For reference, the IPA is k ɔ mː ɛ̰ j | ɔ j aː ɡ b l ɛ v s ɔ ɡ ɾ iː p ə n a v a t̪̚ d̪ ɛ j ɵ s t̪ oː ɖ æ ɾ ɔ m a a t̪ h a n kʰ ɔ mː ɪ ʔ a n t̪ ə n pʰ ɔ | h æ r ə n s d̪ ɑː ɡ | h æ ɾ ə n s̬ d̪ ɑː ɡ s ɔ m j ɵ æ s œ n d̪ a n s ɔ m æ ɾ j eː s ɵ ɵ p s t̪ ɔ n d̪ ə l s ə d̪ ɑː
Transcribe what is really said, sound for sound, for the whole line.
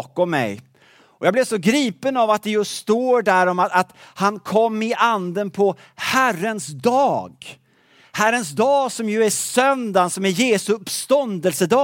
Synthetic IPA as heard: k ɔ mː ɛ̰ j | ɔ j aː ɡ b l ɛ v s ɔ ɡ ɾ iː p ə n a v a t̪̚ d̪ ɛ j ɵ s t̪ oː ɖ æ ɾ ɔ m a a t̪ h a n kʰ ɔ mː ɪ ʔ a n d̪ ə n pʰ ɔ | h æ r ə n s d̪ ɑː ɡ | h æ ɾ ə n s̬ d̪ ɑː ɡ s ɔ m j ɵ æ s œ n d̪ a n s ɔ m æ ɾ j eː s ɵ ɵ p s t̪ ɔ n d̪ ə l s ə d̪ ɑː